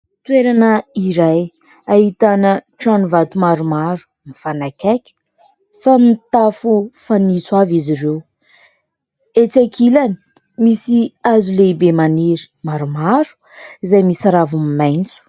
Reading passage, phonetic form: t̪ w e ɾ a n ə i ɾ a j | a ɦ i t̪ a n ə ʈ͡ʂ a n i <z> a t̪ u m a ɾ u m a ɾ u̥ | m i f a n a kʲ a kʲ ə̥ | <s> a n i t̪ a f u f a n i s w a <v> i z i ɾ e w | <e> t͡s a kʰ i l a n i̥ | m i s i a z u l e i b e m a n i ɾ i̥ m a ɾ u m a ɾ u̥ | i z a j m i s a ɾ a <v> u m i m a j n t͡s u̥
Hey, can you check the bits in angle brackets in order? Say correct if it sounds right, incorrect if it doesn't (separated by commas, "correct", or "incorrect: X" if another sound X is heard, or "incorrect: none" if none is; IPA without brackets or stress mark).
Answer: incorrect: v, correct, correct, correct, correct